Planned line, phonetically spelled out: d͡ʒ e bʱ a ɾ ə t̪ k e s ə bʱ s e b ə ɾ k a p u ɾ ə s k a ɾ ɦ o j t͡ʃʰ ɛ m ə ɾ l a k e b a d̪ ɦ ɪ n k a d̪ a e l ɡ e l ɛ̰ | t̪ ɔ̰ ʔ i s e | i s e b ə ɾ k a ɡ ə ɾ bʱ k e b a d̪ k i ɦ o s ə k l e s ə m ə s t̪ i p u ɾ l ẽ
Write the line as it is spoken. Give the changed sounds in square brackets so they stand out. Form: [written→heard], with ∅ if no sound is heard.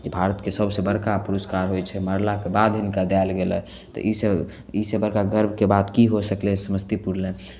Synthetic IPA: d͡ʒ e bʱ a ɾ ə t̪ k e s ə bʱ s e b ə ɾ k a p u ɾ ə s k a ɾ ɦ o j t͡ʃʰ ɛ m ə ɾ l a k e b a d̪ ɦ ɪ n k a d̪ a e l ɡ e l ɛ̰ | t̪ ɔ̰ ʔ i s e | i s e b ə ɾ k a ɡ ə ɾ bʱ k e b a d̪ k i ɦ o s ə k l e s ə m ə s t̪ i p u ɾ l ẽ

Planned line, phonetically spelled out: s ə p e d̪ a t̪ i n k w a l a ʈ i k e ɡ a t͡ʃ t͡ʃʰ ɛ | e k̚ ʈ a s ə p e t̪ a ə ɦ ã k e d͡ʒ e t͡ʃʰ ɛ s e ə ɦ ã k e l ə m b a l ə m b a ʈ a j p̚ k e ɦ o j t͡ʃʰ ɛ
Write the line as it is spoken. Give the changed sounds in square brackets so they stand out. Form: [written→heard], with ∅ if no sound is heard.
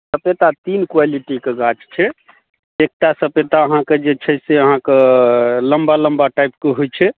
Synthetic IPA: s ə p e [d̪→t̪] a t̪ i n k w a l [a→i] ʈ i k e ɡ a t͡ʃ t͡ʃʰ ɛ | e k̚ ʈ a s ə p e t̪ a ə ɦ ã k e d͡ʒ e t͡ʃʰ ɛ s e ə ɦ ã k e l ə m b a l ə m b a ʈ a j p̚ k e ɦ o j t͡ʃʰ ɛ

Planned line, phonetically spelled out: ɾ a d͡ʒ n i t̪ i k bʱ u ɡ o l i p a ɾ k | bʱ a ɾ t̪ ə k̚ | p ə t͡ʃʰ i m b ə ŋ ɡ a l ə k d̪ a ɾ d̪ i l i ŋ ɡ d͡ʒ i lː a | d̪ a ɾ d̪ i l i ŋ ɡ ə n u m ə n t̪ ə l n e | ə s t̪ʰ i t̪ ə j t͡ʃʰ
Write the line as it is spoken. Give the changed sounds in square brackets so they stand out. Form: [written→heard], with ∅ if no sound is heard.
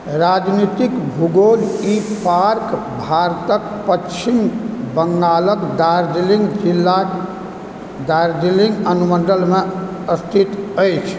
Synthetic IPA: ɾ a d͡ʒ n i t̪ i k bʱ u ɡ o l i p a ɾ k | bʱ a ɾ t̪ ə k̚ | p ə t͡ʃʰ i m b ə ŋ ɡ a l ə k d̪ a ɾ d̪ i l i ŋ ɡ d͡ʒ i lː a | d̪ a ɾ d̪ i l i ŋ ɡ ə n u m ə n [t̪→d̪] ə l [n→m] e | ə s t̪ʰ i t̪ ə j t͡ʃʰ

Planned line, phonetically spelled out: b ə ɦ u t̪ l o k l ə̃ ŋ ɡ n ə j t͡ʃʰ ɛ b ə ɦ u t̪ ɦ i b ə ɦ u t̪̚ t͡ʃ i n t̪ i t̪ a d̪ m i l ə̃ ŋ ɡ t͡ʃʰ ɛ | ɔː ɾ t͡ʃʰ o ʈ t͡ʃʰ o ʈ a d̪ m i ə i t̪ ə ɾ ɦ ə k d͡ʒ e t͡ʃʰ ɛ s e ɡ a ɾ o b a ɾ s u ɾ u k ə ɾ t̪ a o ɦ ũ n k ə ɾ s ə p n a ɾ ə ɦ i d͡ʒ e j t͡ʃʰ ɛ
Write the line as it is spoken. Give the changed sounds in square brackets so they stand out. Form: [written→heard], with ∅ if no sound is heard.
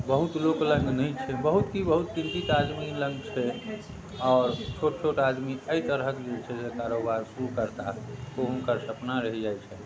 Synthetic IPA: b ə ɦ u t̪ l o k l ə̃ ŋ ɡ n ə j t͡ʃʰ ɛ b ə ɦ u t̪ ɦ i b ə ɦ u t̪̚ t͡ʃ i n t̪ i t̪ a d̪ m i l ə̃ ŋ ɡ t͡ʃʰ ɛ | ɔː ɾ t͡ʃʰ o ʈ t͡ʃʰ o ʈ a d̪ m i ə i t̪ ə ɾ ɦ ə k d͡ʒ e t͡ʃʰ ɛ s e [ɡ→k] a ɾ o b a ɾ s u ɾ u k ə ɾ t̪ a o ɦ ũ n k ə ɾ s ə p n a ɾ ə ɦ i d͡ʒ [e→a] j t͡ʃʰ ɛ

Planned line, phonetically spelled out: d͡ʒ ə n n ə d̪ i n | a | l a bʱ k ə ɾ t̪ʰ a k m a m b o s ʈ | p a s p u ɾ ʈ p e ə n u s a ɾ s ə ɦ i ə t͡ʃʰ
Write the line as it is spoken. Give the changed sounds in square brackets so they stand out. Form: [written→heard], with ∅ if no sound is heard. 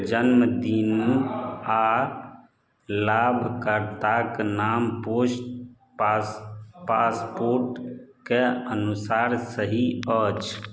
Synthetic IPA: d͡ʒ ə n [n→m] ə d̪ i n | a | l a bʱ k ə ɾ [t̪ʰ→t̪] a k [m→n] a m [b→p] o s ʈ | p a s p [u→o] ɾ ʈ [p→k] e ə n u s a ɾ s ə ɦ i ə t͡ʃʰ

